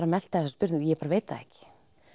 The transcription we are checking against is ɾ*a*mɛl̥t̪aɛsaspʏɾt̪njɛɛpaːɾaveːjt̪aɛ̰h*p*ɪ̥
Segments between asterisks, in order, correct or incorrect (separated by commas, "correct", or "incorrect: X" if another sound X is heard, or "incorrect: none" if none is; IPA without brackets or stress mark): correct, incorrect: c